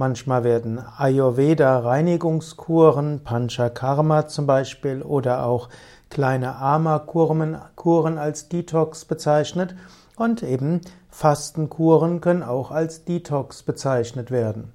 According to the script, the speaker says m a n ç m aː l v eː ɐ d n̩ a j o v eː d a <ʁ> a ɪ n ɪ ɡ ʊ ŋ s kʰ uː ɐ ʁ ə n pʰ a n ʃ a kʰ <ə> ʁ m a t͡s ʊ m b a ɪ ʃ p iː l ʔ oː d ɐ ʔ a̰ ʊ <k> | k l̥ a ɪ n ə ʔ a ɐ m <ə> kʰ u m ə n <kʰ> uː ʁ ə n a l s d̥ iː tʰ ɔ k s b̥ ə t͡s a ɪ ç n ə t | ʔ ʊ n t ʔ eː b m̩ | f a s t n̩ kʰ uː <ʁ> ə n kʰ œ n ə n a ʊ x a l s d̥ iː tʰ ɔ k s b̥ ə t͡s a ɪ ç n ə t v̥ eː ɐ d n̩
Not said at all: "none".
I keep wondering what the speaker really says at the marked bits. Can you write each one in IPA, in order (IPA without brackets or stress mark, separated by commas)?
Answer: ʁ, a, x, a, kʰ, ʁ